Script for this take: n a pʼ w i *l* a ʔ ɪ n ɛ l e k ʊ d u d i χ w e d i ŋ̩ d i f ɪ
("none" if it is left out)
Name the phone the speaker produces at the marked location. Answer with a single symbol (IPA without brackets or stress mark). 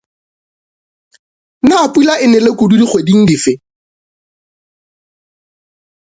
l